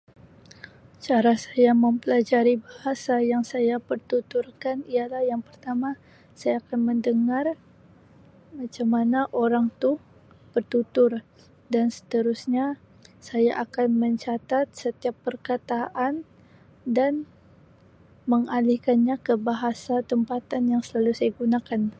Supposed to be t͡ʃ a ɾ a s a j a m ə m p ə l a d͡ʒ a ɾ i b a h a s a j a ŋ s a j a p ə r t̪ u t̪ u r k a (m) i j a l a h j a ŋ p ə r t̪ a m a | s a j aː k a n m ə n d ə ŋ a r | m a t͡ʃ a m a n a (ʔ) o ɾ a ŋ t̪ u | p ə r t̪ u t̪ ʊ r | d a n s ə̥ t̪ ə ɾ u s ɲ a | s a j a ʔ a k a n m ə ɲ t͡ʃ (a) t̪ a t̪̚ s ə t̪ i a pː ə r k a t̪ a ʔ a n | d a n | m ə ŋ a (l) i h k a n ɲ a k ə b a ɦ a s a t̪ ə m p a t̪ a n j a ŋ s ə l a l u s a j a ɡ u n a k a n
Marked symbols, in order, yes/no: no, yes, yes, yes

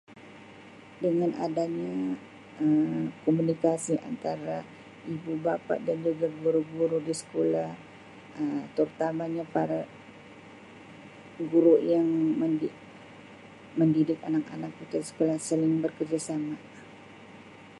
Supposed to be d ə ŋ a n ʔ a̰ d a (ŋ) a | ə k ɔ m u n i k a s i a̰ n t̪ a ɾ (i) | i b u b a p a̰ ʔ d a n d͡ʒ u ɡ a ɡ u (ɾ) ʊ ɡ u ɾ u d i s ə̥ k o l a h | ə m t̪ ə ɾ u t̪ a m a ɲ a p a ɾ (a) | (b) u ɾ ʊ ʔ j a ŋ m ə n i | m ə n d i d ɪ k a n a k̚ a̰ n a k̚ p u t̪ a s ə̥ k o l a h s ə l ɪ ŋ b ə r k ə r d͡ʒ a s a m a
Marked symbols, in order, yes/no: no, no, yes, yes, no

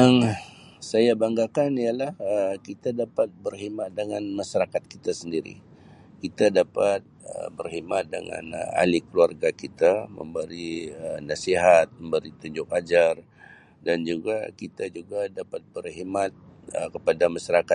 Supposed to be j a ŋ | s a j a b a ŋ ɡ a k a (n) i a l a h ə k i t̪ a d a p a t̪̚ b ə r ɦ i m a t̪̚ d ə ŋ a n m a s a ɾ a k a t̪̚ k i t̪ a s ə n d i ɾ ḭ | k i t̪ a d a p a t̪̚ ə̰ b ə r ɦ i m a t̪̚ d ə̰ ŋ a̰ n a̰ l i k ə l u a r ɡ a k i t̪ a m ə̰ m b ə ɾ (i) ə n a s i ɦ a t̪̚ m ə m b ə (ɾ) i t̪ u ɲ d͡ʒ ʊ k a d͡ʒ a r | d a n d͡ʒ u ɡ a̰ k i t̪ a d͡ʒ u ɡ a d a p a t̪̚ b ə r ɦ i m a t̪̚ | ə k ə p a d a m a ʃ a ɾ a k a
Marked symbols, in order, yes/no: yes, yes, yes

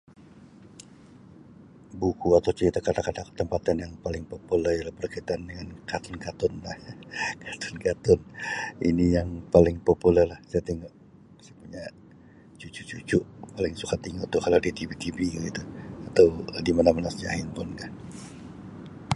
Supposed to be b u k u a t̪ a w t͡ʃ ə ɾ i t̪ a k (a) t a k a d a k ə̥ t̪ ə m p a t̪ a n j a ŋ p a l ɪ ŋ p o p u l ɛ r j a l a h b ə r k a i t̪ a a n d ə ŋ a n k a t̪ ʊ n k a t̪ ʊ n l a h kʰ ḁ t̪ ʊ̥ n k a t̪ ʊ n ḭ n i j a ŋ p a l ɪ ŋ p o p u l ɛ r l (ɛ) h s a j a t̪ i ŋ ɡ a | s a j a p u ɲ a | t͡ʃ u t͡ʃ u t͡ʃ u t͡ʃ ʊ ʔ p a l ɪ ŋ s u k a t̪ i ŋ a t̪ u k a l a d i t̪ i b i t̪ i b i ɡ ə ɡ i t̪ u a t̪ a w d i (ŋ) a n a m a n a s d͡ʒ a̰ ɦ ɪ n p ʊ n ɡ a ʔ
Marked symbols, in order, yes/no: yes, no, no

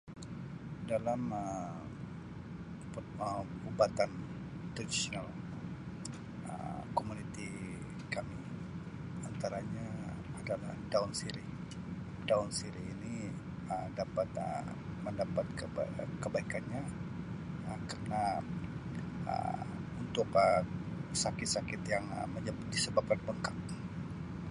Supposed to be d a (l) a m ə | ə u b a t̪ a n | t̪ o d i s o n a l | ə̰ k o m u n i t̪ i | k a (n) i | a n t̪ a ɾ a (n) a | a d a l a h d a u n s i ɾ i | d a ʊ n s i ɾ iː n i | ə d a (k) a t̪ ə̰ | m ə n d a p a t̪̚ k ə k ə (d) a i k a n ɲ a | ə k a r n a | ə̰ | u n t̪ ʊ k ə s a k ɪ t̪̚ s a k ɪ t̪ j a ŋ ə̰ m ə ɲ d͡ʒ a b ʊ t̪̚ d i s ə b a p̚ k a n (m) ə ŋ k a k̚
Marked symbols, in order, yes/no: yes, no, no, no, no, no

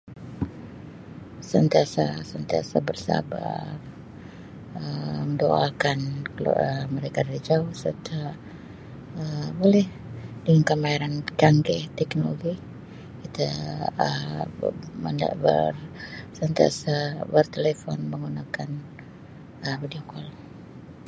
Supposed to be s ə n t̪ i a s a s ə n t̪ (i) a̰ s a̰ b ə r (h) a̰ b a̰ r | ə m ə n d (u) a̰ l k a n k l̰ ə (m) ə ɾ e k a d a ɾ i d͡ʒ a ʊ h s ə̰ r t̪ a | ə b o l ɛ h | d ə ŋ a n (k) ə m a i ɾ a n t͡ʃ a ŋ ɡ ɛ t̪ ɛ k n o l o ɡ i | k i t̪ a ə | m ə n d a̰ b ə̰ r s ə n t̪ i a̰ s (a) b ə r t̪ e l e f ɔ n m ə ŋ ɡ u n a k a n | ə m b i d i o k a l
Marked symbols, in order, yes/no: yes, no, no, yes, yes, yes

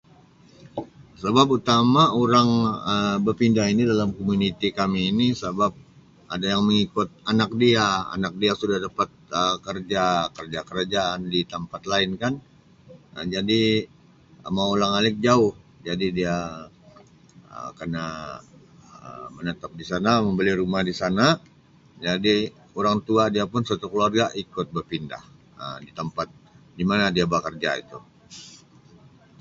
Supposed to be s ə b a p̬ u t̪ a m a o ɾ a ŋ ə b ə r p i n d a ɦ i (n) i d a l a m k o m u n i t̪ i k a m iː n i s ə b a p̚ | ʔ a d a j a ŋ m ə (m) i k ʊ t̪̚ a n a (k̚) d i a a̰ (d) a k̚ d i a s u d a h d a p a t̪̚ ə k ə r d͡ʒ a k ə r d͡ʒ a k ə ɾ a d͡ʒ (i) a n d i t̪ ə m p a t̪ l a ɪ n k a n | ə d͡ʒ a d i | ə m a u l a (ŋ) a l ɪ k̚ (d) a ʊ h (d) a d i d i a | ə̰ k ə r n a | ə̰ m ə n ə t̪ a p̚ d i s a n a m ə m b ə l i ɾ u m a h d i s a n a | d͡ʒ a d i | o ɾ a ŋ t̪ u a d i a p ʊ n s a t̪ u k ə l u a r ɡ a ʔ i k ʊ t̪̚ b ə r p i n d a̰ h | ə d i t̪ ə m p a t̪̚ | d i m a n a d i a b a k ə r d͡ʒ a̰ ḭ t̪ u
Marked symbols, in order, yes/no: yes, no, yes, no, no, yes, no, no

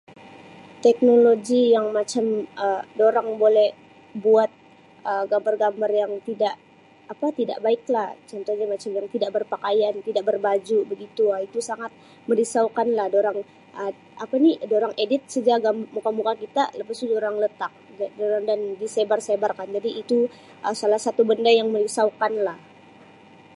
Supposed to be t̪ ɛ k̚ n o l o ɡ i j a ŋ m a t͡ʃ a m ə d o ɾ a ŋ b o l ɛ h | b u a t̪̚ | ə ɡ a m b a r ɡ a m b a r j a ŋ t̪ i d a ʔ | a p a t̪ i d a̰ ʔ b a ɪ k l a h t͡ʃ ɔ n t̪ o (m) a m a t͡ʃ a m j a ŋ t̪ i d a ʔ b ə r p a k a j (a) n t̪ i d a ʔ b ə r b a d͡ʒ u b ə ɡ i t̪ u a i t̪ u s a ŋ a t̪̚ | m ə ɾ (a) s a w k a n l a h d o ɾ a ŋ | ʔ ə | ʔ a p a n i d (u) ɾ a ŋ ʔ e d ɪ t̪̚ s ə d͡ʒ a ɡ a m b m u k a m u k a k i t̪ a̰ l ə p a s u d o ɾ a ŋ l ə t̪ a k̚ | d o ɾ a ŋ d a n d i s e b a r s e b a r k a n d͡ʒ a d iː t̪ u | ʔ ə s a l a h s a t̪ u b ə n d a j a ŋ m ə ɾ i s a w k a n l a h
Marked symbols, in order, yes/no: no, yes, no, no

